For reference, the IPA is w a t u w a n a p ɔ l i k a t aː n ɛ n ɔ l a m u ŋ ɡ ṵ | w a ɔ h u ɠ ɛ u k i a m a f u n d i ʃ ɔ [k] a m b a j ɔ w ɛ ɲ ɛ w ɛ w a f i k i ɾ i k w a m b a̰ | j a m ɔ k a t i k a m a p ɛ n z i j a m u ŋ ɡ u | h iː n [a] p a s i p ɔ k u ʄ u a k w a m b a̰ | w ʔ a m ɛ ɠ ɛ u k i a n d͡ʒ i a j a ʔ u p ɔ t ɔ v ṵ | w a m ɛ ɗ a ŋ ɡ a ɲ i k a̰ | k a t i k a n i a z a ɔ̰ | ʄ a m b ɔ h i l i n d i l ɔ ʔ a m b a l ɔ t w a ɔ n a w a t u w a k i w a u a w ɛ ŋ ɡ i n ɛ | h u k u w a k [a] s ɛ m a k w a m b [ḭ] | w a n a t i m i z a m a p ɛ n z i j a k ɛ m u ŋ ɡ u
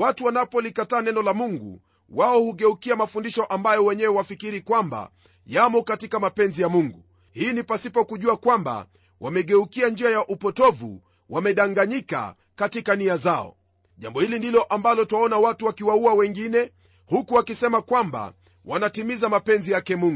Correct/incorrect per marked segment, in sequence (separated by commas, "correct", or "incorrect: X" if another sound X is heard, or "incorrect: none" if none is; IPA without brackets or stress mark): incorrect: ʔ, incorrect: i, incorrect: i, incorrect: a̰